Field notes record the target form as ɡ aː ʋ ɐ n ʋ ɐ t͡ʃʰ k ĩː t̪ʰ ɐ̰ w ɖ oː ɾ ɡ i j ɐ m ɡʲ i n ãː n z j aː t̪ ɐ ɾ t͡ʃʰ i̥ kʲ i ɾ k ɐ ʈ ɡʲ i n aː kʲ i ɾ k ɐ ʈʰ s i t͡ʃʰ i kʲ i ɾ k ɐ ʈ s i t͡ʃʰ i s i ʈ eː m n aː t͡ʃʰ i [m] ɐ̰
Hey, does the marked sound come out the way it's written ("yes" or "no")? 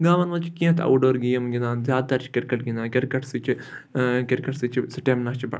no